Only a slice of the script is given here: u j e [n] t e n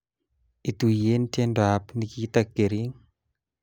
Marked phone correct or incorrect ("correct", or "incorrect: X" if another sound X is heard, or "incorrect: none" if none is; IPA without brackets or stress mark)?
correct